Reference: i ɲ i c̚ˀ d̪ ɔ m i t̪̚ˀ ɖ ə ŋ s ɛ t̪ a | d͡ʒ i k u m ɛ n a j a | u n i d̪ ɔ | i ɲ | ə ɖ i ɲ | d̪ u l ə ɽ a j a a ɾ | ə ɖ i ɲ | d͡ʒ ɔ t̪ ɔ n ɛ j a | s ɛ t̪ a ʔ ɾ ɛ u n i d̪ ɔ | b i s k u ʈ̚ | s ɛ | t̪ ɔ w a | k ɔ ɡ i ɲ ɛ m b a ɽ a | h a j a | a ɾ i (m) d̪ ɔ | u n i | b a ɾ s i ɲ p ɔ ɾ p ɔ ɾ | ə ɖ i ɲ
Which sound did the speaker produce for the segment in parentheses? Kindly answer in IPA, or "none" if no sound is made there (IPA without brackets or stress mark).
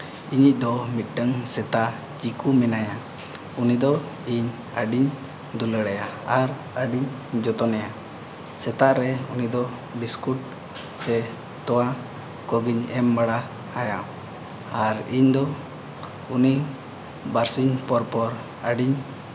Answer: ɲ